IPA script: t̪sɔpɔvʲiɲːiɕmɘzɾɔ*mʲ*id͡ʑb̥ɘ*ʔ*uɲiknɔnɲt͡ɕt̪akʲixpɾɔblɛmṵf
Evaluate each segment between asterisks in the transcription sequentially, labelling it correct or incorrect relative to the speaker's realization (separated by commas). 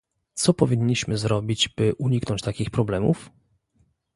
incorrect, correct